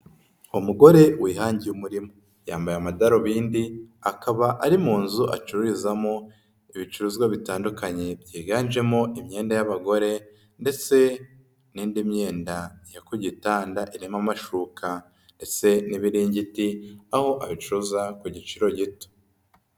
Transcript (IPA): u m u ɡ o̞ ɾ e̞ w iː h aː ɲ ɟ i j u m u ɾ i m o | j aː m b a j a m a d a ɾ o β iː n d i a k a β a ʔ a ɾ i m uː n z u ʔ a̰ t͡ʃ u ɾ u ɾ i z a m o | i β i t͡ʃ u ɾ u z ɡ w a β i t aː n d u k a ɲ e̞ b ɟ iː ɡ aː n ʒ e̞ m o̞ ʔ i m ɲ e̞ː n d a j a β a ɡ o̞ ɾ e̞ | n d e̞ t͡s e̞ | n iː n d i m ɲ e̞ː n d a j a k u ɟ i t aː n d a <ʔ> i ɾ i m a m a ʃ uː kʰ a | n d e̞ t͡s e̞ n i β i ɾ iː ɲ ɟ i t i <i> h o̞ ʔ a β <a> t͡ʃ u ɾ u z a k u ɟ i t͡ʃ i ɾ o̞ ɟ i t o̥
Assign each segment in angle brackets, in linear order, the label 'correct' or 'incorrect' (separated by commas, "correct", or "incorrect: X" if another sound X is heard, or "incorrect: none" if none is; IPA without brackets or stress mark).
correct, incorrect: a, incorrect: i